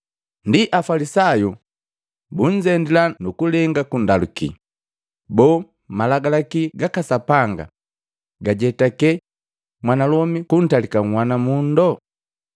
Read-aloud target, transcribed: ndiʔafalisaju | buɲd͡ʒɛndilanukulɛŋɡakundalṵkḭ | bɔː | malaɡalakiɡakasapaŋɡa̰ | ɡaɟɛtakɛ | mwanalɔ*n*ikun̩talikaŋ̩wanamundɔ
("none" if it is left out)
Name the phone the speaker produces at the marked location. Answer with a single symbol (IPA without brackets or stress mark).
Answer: m